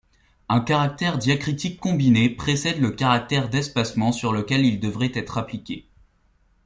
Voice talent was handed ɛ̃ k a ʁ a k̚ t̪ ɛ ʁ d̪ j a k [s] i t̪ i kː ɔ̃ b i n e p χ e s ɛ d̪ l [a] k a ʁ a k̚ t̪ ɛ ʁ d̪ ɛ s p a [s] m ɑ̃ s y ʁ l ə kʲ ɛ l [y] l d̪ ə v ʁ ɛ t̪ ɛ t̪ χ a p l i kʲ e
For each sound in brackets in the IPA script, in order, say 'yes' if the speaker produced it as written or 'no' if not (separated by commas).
no, no, yes, no